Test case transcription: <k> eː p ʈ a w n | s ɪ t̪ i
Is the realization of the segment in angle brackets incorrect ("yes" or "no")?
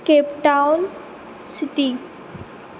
no